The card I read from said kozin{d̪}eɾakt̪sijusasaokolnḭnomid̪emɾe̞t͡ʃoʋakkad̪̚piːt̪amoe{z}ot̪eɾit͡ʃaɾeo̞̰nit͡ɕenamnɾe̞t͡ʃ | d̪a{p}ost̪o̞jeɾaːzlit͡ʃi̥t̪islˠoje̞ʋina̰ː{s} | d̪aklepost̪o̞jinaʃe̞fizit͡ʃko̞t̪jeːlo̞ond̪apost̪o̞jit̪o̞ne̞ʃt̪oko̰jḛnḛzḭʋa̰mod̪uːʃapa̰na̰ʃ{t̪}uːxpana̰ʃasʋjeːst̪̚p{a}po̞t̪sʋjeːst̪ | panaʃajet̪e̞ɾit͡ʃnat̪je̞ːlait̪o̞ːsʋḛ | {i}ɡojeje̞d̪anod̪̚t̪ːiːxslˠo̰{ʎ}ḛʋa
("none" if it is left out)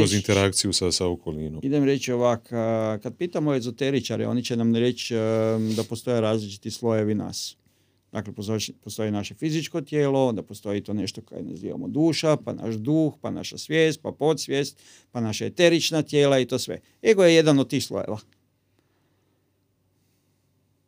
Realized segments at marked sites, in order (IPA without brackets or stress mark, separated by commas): t̪, z, p, s, d̪, a, e, j